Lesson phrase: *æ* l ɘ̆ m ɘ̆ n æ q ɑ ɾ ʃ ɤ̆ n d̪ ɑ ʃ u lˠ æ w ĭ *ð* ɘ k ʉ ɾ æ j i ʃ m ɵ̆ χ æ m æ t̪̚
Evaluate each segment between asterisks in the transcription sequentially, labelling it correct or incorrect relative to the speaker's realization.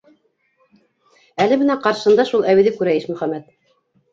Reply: correct, correct

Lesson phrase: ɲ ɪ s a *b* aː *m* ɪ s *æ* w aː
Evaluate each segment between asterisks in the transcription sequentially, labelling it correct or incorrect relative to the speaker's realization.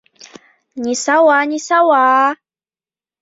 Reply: incorrect: w, incorrect: ɲ, incorrect: a

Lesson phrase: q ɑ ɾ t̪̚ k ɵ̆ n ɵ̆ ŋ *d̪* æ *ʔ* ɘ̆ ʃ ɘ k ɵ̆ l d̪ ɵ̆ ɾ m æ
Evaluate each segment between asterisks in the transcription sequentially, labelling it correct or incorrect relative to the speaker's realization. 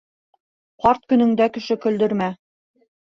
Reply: correct, incorrect: k

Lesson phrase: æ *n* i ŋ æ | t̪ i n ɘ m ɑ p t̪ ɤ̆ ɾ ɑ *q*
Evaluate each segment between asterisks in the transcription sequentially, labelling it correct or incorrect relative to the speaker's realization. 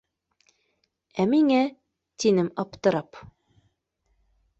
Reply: incorrect: m, incorrect: p

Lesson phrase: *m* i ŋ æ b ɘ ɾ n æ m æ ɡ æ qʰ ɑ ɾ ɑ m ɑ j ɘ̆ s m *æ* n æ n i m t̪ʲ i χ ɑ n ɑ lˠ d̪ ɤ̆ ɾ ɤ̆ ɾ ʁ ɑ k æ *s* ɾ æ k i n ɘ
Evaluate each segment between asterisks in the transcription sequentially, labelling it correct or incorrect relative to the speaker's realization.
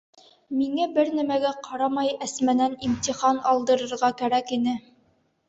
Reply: correct, correct, incorrect: none

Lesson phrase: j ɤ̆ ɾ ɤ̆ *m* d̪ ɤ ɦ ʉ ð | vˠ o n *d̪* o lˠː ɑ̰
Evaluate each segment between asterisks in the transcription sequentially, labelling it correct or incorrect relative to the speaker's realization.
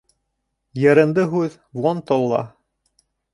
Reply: incorrect: n, incorrect: t̪

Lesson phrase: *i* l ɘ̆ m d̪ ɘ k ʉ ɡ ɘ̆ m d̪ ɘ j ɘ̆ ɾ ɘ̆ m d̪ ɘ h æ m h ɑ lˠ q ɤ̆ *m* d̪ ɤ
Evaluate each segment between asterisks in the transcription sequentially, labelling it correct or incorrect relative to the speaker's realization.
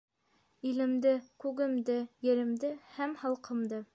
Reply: correct, correct

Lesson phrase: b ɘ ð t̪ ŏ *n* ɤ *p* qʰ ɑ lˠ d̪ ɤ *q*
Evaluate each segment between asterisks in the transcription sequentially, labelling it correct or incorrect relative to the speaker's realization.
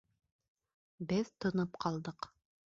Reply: correct, correct, correct

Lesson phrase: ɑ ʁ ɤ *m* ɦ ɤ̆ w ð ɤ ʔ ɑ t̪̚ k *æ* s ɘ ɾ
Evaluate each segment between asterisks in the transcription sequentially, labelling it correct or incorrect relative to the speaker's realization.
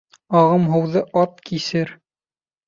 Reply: correct, incorrect: i

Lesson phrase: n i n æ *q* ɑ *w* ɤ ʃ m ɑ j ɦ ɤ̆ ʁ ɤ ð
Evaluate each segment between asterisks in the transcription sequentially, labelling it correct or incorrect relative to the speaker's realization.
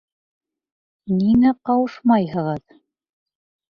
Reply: correct, correct

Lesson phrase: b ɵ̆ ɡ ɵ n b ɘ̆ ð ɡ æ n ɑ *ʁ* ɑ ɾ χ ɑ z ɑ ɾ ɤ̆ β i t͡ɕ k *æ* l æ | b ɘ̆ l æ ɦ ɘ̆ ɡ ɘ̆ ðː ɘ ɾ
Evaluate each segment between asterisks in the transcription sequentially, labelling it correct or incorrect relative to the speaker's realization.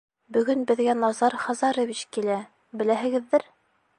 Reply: incorrect: z, incorrect: i

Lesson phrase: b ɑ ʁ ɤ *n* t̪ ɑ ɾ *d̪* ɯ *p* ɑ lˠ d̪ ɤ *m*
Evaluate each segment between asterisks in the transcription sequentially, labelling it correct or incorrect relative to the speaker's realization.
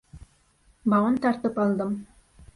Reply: correct, incorrect: t̪, correct, correct

